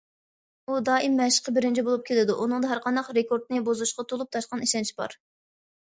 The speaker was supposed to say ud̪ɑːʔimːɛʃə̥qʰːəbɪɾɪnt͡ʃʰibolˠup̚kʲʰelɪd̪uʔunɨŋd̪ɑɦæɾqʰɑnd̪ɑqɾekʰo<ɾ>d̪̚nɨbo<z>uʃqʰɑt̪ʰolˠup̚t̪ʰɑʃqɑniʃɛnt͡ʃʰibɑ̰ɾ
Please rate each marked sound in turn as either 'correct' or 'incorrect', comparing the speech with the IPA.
correct, correct

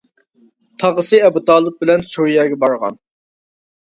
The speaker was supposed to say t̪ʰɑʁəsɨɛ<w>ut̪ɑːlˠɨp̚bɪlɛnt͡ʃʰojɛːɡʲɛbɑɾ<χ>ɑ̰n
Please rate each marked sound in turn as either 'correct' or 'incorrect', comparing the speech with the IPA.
incorrect: b, incorrect: ʁ

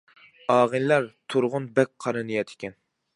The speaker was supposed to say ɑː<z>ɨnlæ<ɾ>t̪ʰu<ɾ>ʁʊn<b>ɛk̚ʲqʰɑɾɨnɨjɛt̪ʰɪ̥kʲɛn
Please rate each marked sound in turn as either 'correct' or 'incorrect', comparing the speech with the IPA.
incorrect: ʁ, correct, correct, correct

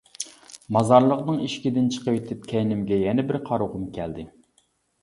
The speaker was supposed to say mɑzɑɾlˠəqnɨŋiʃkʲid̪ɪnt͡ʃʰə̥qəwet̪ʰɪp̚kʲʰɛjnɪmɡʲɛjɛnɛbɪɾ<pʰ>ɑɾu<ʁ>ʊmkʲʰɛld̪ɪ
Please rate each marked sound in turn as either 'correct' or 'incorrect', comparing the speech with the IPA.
incorrect: qʰ, correct

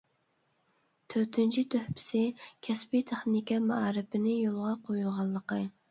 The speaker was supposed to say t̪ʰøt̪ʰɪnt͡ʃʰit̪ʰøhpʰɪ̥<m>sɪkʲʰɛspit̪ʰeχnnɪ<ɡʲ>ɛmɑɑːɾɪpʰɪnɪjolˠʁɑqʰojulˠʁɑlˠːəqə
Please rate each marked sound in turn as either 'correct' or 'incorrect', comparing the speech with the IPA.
incorrect: none, incorrect: kʲ

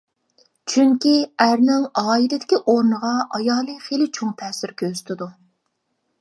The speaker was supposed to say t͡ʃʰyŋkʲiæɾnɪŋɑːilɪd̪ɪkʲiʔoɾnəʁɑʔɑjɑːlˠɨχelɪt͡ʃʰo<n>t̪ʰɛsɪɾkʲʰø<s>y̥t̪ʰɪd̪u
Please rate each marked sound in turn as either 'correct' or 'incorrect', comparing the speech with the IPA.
incorrect: ŋ, incorrect: z

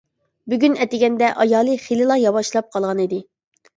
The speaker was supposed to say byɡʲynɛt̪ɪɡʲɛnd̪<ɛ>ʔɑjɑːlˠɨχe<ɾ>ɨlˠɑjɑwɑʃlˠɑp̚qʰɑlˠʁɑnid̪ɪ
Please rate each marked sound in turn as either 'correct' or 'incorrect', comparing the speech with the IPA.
correct, incorrect: l

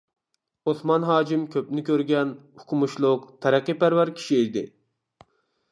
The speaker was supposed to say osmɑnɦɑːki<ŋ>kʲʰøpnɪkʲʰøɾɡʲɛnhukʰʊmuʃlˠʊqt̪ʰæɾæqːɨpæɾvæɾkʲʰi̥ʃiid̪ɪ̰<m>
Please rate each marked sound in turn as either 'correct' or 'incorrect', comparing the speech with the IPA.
incorrect: m, incorrect: none

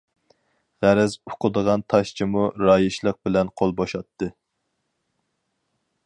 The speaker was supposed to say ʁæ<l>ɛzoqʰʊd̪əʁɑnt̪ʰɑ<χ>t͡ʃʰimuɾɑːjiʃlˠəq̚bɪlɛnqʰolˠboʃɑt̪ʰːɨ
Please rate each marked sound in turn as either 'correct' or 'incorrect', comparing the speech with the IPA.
incorrect: ɾ, incorrect: ʃ

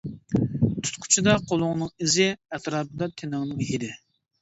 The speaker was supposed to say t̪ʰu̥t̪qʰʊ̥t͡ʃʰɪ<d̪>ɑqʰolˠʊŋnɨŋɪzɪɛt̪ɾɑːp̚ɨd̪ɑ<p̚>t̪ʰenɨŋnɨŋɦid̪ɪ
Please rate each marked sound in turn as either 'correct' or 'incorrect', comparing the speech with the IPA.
correct, incorrect: none

